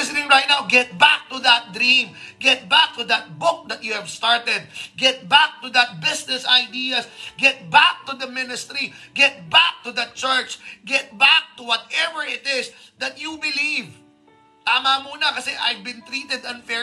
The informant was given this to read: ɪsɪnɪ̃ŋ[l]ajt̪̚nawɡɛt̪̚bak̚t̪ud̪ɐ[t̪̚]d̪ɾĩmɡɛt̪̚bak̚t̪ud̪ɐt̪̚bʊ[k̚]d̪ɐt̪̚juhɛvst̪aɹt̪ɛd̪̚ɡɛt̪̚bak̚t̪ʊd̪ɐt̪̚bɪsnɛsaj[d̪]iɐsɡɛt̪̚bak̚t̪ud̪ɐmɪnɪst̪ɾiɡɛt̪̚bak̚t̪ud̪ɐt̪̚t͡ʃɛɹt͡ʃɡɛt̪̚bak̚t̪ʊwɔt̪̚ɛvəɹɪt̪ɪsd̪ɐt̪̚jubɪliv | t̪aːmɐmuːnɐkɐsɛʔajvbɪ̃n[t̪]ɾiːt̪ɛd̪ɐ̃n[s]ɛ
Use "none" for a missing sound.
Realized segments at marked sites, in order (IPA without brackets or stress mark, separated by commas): ɹ, t̪̚, k̚, d̪, t̪, f